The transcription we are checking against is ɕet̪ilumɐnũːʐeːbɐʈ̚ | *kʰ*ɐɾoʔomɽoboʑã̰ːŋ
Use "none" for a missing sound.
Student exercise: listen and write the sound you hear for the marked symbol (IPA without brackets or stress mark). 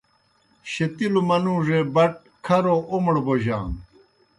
kʰ